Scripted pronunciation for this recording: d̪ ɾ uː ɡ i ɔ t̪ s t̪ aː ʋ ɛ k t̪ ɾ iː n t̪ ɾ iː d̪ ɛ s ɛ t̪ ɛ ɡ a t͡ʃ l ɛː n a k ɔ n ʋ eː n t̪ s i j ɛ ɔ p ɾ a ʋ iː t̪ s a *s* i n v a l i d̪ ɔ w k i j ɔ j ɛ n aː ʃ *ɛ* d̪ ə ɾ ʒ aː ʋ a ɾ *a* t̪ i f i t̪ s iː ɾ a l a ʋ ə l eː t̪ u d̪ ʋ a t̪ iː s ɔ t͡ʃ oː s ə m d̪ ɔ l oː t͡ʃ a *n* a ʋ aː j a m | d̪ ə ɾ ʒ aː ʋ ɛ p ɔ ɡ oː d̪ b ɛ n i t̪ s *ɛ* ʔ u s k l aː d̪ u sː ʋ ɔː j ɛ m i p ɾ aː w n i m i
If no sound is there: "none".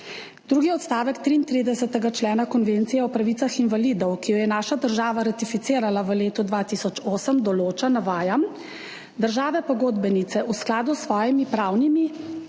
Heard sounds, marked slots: x, a, a, n, ɛ

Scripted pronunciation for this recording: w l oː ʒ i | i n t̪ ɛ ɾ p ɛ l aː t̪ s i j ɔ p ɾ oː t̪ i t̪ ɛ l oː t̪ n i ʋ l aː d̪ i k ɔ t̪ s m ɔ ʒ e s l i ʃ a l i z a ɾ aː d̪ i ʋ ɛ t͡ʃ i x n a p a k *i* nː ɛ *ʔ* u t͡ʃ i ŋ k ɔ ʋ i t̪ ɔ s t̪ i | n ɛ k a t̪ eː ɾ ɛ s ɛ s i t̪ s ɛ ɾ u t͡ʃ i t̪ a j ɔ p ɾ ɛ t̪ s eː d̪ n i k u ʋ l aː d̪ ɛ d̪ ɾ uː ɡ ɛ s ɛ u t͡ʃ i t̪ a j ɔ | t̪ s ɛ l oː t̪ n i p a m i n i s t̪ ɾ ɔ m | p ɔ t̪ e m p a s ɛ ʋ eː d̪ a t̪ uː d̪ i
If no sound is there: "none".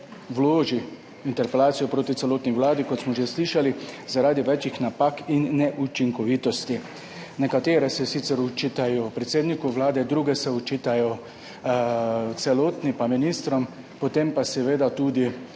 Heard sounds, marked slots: i, ʔ

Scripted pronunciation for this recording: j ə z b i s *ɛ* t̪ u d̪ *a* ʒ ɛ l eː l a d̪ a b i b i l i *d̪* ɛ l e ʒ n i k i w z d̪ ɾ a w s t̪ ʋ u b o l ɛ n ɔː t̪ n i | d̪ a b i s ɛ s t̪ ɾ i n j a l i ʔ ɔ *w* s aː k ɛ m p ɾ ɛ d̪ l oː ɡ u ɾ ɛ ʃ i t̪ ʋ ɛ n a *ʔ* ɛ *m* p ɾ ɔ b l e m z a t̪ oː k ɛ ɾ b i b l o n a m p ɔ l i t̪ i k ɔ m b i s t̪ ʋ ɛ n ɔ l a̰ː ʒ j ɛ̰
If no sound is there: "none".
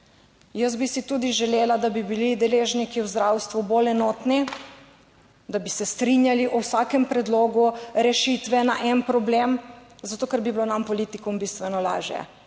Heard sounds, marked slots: i, i, d̪, w, ʔ, n

